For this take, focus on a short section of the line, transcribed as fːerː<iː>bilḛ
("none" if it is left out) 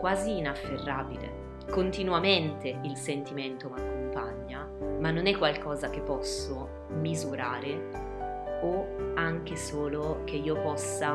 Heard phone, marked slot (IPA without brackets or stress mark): aː